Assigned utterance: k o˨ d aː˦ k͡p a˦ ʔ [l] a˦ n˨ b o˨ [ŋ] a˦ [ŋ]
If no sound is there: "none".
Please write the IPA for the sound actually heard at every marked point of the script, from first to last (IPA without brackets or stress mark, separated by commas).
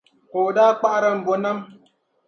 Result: ɾ, n, m